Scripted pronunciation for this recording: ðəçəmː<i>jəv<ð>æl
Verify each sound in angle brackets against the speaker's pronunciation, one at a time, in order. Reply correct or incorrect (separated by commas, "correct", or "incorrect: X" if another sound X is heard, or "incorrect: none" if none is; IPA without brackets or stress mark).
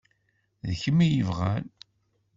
correct, incorrect: ʁ